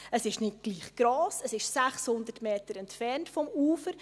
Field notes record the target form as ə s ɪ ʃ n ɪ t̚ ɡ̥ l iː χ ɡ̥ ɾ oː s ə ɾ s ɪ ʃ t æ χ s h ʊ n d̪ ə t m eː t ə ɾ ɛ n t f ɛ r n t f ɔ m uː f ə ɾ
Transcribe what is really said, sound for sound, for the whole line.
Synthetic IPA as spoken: ə s ɪ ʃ n ɪ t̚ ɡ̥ l iː χ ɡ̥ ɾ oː s ə s ɪ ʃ s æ χ s h ʊ n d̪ ə t m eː t ə ɾ ɛ n t f ɛ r n t f ɔ m uː f ə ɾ